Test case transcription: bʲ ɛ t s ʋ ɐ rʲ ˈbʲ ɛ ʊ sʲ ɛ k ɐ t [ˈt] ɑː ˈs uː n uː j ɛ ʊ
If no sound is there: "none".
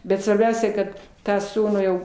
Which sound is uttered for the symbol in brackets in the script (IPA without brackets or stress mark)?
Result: t